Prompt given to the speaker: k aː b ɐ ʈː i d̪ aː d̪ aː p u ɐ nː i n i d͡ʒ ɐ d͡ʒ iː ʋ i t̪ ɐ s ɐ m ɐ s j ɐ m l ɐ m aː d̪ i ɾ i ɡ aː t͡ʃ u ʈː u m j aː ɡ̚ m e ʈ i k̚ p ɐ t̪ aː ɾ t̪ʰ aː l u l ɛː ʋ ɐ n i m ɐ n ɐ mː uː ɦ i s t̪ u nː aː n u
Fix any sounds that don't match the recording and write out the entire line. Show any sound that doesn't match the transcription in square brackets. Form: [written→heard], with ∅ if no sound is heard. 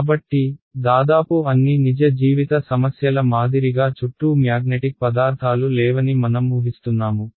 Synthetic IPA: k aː b ɐ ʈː i d̪ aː d̪ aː p u ɐ nː i n i d͡ʒ ɐ d͡ʒ iː ʋ i t̪ ɐ s ɐ m ɐ s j ɐ [m→∅] l ɐ m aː d̪ i ɾ i ɡ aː t͡ʃ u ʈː u m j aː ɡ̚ [m→n] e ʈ i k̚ p ɐ [t̪→d̪] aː ɾ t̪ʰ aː l u l ɛː ʋ ɐ n i m ɐ n ɐ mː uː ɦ i s t̪ u nː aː [n→m] u